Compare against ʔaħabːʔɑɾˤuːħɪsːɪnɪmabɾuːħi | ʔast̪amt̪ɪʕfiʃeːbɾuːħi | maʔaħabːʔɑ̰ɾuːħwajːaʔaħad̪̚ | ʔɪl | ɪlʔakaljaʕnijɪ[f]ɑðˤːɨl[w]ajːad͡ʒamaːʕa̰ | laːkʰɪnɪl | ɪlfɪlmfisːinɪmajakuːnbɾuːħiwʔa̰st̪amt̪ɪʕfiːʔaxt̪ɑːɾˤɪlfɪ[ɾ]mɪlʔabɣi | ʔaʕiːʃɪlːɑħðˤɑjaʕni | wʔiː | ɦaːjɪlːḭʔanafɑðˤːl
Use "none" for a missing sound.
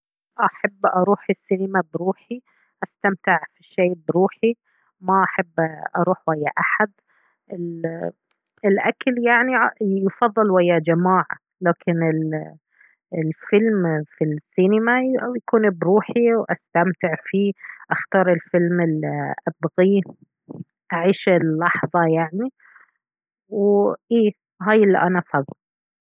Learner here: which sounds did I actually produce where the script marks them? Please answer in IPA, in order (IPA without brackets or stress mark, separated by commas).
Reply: f, w, l